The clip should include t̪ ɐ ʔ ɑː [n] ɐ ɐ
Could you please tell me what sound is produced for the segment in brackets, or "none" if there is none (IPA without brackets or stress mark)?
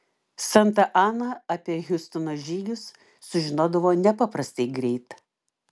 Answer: n